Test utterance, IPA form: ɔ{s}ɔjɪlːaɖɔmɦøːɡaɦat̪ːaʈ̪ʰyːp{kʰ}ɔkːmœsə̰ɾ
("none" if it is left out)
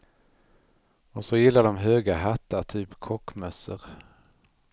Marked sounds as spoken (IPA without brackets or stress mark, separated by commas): s, kʰ